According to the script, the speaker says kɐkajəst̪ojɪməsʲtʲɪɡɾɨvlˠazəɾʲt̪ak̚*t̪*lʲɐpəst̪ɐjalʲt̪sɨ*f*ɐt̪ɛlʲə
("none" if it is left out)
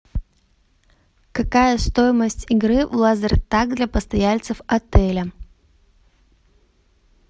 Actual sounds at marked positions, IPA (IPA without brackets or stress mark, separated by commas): d̪, f